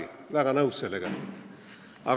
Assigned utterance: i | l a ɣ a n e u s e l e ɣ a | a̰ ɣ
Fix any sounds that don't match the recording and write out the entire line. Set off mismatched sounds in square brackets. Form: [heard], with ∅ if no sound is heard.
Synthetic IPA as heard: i | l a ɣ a n [a] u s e l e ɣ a | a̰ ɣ